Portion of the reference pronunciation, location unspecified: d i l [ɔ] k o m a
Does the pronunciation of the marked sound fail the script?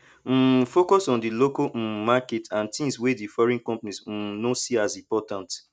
yes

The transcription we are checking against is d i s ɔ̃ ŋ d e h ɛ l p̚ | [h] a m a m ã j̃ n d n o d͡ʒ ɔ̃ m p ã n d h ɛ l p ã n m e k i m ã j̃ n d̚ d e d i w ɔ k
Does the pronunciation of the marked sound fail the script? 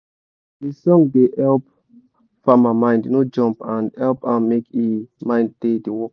yes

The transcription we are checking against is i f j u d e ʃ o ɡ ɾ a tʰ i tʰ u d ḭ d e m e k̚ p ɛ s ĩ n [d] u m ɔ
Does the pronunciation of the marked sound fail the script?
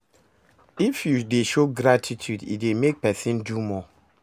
no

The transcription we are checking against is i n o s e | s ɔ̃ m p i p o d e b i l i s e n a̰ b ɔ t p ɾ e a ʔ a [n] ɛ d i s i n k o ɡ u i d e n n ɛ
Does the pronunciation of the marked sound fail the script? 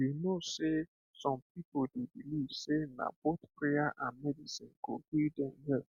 yes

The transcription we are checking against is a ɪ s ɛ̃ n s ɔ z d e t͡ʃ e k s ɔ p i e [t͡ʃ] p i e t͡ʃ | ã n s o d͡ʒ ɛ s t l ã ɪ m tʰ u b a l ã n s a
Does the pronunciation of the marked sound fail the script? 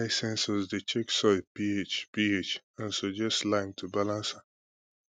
no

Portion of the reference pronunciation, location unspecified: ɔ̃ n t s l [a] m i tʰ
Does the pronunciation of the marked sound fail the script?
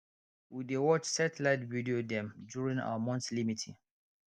yes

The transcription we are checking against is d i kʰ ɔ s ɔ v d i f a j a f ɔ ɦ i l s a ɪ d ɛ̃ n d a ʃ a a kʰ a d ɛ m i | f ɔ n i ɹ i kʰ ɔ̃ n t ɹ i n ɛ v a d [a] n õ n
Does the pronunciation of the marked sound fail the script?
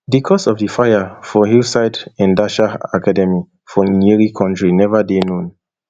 yes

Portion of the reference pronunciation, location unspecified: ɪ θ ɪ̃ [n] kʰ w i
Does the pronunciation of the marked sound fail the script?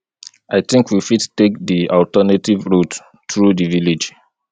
yes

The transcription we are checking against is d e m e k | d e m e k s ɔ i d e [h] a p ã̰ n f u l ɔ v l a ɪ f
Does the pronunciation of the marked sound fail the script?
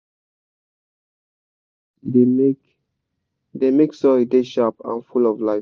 yes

